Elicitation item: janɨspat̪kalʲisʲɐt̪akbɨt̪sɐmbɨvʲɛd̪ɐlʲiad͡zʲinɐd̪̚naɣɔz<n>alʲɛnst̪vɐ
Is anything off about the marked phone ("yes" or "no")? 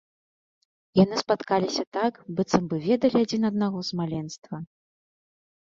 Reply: yes